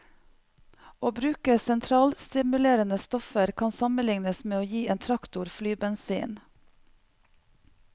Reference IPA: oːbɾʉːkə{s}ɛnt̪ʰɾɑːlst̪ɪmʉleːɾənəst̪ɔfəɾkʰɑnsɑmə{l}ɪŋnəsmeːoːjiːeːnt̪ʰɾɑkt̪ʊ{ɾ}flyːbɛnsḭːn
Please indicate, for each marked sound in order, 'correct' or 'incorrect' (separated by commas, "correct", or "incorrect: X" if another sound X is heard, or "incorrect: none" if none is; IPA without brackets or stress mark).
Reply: correct, correct, correct